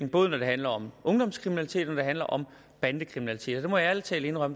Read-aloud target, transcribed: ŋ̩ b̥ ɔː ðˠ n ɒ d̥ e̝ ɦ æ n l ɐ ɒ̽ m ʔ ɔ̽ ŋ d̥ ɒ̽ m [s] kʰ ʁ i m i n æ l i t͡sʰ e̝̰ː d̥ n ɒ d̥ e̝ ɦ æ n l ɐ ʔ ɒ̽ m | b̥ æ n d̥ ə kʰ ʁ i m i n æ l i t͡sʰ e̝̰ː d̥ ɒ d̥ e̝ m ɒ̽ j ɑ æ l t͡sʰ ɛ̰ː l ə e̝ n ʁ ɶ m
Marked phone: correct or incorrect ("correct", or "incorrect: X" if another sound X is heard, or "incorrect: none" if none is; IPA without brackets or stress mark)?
correct